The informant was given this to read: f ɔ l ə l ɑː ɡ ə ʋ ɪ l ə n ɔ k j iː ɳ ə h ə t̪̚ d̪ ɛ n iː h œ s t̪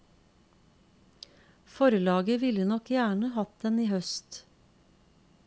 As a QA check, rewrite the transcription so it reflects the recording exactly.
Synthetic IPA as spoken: f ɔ ɾ ə l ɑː ɡ ə ʋ ɪ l ə n ɔ k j æː ɳ ə h ɑ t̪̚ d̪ ɛ n iː h œ s t̪